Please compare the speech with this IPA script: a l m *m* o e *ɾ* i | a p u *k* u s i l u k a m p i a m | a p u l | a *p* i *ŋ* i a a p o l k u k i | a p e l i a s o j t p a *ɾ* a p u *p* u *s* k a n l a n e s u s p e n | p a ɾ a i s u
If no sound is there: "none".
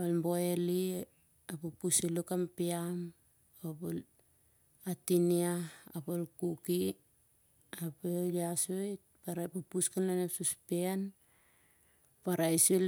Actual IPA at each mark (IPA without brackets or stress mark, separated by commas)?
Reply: b, l, p, t, n, ɾ, p, s